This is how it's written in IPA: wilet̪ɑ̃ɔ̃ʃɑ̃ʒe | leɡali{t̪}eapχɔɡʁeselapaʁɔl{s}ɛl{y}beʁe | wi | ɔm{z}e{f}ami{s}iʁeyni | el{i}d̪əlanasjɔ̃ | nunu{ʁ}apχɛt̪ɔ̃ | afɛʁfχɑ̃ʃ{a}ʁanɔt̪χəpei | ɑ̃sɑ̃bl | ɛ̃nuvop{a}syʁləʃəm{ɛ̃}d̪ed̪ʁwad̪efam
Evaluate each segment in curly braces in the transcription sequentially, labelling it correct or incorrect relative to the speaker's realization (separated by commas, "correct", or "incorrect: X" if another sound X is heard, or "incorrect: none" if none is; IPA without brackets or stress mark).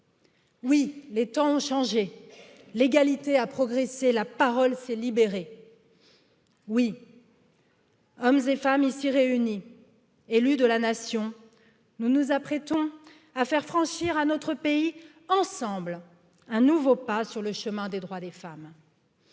correct, correct, incorrect: i, correct, correct, correct, incorrect: y, incorrect: z, incorrect: i, correct, correct